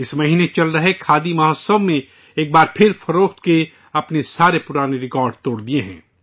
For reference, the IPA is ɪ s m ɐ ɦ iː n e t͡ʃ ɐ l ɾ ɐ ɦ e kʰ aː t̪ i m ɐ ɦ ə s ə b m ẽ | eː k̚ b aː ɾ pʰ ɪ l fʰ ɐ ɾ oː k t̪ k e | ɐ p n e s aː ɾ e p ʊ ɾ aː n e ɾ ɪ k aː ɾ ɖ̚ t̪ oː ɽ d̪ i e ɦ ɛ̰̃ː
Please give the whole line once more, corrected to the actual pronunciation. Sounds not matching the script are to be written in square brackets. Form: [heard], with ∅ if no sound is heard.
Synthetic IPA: ɪ s m ɐ ɦ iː n e t͡ʃ ɐ l ɾ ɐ ɦ e kʰ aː [d̪] i m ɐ ɦ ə s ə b m ẽ | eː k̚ b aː ɾ pʰ ɪ [ɾ] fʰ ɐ ɾ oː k t̪ k e | ɐ p n e s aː ɾ e p ʊ ɾ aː n e ɾ ɪ k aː ɾ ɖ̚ t̪ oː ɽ d̪ i e ɦ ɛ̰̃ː